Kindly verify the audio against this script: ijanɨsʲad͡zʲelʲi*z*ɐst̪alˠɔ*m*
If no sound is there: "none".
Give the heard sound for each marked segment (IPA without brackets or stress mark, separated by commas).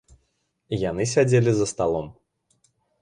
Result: z, m